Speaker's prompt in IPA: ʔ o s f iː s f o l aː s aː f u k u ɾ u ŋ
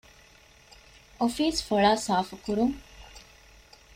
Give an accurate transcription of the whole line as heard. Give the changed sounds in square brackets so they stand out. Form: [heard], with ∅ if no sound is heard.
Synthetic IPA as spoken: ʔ o [∅] f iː s f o [ɭ] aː s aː f u k u ɾ u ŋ